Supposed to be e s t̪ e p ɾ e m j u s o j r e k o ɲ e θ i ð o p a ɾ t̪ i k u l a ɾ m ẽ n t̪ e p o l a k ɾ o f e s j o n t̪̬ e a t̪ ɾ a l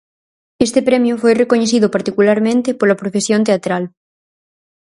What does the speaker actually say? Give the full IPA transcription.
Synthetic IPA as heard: e s t̪ e p ɾ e m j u f o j r e k o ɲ e θ i ð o p a ɾ t̪ i k u l a ɾ m ẽ n t̪ e p o l a p ɾ o f e s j o n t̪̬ e a t̪ ɾ a l